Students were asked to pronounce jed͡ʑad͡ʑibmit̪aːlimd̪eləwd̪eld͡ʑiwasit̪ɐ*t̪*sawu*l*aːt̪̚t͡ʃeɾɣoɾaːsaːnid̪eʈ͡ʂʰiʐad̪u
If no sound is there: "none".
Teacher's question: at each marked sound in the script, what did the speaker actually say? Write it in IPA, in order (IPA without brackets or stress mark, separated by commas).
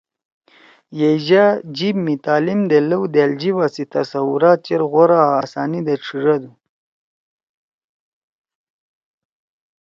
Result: none, ɾ